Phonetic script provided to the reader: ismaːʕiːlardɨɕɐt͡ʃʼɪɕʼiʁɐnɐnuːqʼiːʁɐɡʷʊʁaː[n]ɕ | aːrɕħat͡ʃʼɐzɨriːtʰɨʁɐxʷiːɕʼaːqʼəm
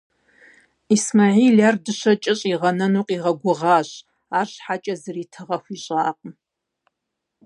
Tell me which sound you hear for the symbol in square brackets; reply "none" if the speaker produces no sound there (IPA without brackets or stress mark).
none